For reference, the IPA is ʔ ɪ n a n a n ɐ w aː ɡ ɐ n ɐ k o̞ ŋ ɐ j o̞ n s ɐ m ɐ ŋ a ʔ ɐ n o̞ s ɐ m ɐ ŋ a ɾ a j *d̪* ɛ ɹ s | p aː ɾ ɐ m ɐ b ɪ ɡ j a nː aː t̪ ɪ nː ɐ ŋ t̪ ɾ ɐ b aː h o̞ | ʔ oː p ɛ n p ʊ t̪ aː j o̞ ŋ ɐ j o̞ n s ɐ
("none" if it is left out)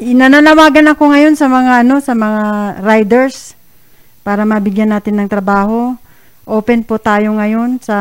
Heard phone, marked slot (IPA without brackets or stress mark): d̪